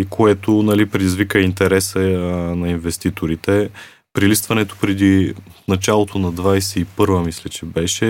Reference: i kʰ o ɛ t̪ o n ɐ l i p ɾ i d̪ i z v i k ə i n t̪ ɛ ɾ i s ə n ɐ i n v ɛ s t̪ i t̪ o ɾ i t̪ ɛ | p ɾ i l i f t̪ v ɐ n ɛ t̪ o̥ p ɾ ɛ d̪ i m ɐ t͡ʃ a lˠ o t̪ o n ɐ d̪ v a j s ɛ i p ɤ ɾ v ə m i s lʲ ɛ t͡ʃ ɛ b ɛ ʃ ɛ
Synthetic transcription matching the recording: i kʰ o ɛ t̪ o n ɐ l i p ɾ ɛ d̪ i z v i k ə i n t̪ ɛ ɾ ɛ s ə n ɐ i n v ɛ s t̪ i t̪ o ɾ i t̪ ɛ | p ɾ i l i s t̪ v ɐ n ɛ t̪ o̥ p ɾ ɛ d̪ i n ɐ t͡ʃ a lˠ o t̪ o n ɐ d̪ v a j s ɛ i p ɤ ɾ v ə m i s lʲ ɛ t͡ʃ ɛ b ɛ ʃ ɛ